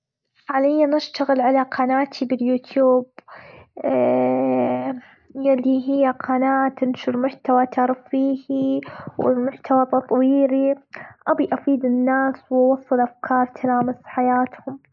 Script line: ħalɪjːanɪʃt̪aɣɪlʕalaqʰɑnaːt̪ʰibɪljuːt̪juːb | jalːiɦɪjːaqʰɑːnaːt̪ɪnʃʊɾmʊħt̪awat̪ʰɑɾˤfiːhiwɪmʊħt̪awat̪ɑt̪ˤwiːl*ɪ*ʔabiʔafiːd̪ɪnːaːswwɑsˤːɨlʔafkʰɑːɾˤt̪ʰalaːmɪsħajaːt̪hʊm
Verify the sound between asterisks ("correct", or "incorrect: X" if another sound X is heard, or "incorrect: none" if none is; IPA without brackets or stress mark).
incorrect: i